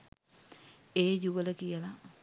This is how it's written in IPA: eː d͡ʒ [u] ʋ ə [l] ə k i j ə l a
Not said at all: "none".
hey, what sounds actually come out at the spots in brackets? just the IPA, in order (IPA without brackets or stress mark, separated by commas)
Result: u, l